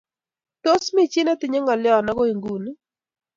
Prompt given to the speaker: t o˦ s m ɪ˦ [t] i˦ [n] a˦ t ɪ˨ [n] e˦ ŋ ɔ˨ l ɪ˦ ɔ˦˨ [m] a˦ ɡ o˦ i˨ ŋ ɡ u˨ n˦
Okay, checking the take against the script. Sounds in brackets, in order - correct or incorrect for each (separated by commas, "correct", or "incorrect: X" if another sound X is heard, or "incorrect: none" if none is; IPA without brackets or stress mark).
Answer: incorrect: t͡ʃ, correct, incorrect: ɲ, incorrect: n